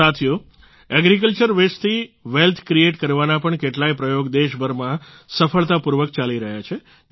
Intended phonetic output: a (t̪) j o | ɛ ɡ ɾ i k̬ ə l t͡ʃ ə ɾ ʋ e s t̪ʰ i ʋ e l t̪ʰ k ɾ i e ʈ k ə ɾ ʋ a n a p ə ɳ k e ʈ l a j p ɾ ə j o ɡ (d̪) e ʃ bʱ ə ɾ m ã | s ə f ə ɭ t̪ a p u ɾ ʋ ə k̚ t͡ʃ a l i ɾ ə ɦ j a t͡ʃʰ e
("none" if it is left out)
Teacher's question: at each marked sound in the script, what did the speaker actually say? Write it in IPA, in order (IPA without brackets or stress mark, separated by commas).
t̪ʰ, d̪